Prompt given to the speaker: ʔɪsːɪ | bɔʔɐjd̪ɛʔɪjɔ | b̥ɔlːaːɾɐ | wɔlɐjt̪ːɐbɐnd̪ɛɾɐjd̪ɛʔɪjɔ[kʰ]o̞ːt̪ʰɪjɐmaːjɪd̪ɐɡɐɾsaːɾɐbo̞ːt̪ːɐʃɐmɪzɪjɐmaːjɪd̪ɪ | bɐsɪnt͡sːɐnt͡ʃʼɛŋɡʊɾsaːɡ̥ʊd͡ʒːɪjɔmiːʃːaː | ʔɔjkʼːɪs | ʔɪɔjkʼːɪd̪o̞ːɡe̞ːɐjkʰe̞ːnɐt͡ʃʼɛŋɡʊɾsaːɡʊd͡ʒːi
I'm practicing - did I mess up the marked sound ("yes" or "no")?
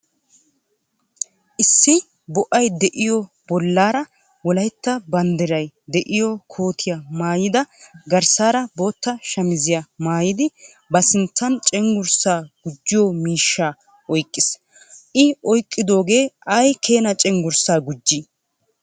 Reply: no